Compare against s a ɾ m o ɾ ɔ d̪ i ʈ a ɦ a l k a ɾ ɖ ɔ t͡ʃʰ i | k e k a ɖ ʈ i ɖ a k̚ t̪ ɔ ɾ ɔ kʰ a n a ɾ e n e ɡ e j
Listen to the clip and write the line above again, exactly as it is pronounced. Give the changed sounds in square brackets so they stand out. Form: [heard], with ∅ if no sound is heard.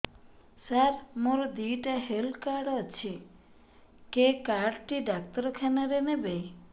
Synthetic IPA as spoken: s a ɾ m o ɾ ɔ d̪ i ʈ a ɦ [e] l k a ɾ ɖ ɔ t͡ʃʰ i | k e k a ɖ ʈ i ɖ a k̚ t̪ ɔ ɾ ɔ kʰ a n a ɾ e n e [b] e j